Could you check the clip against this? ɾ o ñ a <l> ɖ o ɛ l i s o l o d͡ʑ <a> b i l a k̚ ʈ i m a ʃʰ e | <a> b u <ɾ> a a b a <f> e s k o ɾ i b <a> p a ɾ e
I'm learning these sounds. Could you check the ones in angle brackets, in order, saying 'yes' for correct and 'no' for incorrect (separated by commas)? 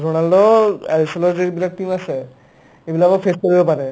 yes, no, no, no, yes, no